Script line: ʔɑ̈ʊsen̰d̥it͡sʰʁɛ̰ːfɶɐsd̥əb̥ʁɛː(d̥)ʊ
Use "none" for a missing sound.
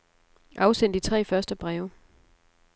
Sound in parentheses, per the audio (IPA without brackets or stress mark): none